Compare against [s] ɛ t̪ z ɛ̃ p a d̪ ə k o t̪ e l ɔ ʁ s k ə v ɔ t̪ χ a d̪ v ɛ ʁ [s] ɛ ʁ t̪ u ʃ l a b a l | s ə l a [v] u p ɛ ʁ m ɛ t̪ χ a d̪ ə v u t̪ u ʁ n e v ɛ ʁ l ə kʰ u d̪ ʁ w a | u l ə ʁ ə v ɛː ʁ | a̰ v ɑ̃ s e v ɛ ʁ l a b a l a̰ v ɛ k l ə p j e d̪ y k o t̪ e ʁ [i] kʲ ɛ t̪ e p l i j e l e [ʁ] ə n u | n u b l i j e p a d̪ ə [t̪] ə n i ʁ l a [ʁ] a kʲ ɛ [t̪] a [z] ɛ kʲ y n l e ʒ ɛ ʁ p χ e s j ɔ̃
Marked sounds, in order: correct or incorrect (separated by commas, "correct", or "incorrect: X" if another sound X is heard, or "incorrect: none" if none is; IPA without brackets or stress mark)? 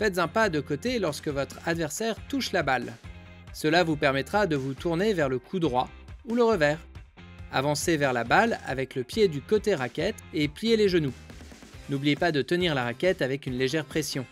incorrect: f, correct, correct, incorrect: a, incorrect: ʒ, correct, correct, correct, incorrect: v